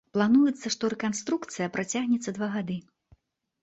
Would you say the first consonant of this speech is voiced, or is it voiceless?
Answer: voiceless